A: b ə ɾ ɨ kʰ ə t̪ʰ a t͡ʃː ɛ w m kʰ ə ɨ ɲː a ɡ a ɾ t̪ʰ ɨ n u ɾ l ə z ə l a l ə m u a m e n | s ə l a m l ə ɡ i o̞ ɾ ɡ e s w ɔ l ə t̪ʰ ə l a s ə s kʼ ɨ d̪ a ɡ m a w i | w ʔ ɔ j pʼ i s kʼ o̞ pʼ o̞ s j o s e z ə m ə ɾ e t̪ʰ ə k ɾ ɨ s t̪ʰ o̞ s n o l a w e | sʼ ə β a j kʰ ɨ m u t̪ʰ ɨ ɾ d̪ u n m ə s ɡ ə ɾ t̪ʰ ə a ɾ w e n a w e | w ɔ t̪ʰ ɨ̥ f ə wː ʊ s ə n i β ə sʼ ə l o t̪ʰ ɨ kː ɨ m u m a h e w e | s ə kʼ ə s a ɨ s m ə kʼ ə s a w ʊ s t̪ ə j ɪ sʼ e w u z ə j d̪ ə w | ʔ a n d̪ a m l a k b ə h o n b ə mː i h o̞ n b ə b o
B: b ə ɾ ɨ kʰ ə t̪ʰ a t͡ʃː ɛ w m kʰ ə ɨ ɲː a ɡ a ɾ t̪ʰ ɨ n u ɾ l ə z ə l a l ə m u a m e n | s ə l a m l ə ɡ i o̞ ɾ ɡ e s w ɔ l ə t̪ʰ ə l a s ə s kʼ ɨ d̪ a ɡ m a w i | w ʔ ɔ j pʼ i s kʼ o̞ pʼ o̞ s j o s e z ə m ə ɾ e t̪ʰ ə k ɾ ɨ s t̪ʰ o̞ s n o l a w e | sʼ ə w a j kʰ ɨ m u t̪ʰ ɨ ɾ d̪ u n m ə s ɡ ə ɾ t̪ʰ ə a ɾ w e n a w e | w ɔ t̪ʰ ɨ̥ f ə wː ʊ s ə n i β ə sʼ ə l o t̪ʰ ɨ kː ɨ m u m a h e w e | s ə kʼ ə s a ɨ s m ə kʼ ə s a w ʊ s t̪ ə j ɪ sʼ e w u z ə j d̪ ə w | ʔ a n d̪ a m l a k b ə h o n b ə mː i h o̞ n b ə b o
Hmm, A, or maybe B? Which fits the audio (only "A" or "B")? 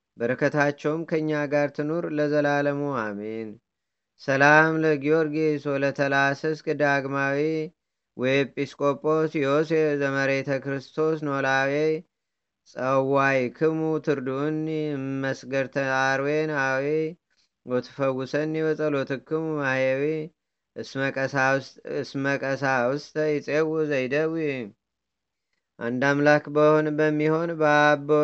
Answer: B